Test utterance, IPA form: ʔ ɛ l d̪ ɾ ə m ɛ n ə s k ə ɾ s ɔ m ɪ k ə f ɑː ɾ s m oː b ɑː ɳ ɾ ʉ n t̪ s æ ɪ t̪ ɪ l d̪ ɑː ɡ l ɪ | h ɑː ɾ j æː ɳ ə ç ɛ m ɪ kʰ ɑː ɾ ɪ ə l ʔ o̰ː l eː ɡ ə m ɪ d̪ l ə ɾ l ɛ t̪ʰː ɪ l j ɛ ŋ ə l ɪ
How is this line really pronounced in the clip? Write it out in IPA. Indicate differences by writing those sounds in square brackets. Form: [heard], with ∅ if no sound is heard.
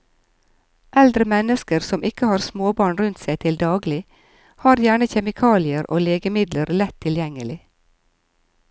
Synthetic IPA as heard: ʔ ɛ l d̪ ɾ ə m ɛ n ə s k ə ɾ s ɔ m ɪ k ə [h] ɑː ɾ s m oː b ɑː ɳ ɾ ʉ n t̪ s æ ɪ [t̪ʰ] ɪ l d̪ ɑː ɡ l ɪ | h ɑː ɾ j æː ɳ ə ç ɛ m ɪ kʰ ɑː [l] ɪ ə [ɾ] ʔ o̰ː l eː ɡ ə m ɪ d̪ l ə ɾ l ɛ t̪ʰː ɪ l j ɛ ŋ ə l ɪ

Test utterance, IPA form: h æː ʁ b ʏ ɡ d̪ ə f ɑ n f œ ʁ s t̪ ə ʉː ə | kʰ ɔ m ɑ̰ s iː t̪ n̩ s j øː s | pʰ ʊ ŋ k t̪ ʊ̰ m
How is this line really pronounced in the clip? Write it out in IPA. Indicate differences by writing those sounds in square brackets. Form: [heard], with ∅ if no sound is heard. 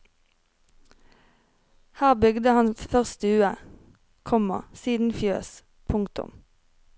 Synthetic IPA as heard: h æː ʁ b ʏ ɡ d̪ ə [h] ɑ n f œ ʁ s t̪ ə ʉː ə | kʰ ɔ m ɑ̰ s iː [d̪] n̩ [f] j øː s | pʰ ʊ ŋ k t̪ ʊ̰ m

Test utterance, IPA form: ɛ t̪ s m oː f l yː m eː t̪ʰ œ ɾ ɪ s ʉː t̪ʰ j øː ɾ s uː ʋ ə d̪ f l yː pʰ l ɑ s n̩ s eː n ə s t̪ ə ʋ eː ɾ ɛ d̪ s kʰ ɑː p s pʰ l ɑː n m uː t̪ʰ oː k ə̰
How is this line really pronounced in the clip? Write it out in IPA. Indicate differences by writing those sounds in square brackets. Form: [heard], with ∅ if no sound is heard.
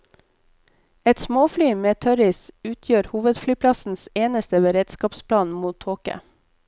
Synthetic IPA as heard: ɛ t̪ s m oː f l yː m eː t̪ʰ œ ɾ ɪ s ʉː t̪ʰ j øː ɾ [h] uː ʋ ə d̪ f l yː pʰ l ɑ s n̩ s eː n ə s t̪ ə ʋ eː ɾ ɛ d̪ s [k] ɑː p s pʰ l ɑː n m uː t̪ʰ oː k ə̰

